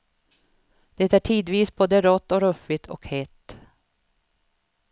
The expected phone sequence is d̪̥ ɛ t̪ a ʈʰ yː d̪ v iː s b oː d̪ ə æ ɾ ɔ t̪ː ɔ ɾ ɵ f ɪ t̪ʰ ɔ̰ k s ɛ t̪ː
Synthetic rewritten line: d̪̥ ɛ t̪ æ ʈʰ iː d̪ v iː s b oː d̪ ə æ ɾ ɔ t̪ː ɔ ɾ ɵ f ɪ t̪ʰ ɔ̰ k h ɛ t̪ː

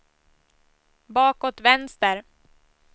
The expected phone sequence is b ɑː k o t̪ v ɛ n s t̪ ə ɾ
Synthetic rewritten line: b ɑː k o t̪ v ɛ n s t̪ ə ɾ

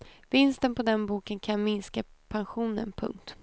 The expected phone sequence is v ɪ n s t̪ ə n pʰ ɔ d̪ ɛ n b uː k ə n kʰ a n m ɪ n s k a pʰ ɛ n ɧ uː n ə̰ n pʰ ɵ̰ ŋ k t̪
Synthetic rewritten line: v ɪ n s t̪ ə n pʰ ɔ d̪ ɛ n b uː k ə n kʰ a n m ɪ n s k a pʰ a n ɧ uː n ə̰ n pʰ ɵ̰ ŋ k t̪

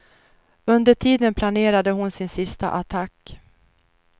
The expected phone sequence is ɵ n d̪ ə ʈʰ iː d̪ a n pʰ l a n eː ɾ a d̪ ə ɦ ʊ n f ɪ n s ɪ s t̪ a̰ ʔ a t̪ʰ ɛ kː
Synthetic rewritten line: ɵ n d̪ ə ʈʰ iː d̪ ə n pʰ l a n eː ɾ a d̪ ə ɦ ʊ n s ɪ n s ɪ s t̪ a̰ ʔ a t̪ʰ a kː

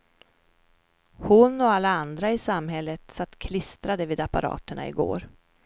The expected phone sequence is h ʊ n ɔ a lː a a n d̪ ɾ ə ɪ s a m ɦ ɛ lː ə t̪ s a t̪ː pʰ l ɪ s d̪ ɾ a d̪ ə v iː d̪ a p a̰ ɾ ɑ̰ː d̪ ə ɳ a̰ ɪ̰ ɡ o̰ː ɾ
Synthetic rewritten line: h ʊ n ɔ a lː a a n d̪ ɾ a ɪ s a m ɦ ɛ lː ə t̪ s a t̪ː kʰ l ɪ s t̪ ɾ a d̪ ə v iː d̪ a p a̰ ɾ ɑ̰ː t̪ ə ɳ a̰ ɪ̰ ɡ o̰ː ɾ

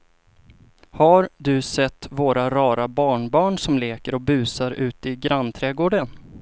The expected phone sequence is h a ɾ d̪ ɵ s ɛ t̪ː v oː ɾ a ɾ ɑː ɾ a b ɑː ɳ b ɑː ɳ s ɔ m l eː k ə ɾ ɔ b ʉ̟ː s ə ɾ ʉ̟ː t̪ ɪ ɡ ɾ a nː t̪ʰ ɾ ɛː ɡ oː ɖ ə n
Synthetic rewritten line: h a ɾ d̪ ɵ s ɛ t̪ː v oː ɾ a ɾ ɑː ɾ a b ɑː ɳ b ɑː ɳ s ɔ m l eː k ə ɾ ɔ b ʉ̟ː s a ɾ ʉ̟ː t̪ ɪ ɡ ɾ a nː t̪ʰ ɾ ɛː ɡ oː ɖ ə n

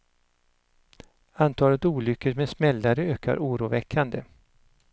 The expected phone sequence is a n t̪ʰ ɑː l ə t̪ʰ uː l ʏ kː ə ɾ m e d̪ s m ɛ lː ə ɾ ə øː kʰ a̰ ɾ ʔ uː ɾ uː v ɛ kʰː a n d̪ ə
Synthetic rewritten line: a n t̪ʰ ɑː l ə t̪ uː l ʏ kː ə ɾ m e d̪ s m ɛ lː a ɾ ə øː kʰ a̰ ɾ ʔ uː ɾ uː v ɛ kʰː a n d̪ ə

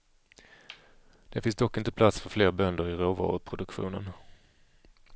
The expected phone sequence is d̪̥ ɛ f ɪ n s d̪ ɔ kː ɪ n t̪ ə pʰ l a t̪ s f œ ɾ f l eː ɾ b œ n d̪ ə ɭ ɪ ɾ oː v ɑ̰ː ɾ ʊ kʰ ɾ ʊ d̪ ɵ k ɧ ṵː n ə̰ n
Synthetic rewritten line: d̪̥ ɛ f ɪ n s d̪ ɔ kː ɪ n t̪ ə pʰ l a t̪ s f œ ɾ f l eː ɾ b œ n d̪ ə ɾ ɪ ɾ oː v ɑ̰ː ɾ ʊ pʰ ɾ ʊ d̪ ɵ k ɧ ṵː n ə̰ n

